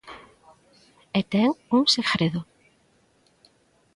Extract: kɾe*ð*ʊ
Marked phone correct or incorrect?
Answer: correct